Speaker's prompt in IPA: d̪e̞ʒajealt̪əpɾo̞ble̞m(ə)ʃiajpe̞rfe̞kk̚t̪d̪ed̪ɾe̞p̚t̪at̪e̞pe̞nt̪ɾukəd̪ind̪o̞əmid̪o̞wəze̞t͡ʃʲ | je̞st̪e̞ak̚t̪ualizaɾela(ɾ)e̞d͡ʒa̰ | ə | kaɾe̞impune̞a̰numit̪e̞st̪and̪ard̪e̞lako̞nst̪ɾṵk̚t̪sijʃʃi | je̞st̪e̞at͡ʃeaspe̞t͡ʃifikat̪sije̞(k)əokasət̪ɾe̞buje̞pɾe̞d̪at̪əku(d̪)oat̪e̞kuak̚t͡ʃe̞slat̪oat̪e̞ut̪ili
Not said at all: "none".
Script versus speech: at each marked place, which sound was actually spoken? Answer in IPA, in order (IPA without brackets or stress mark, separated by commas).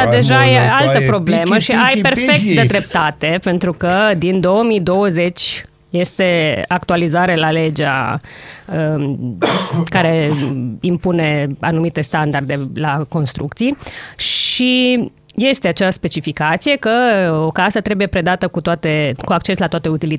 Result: ə, l, k, t̪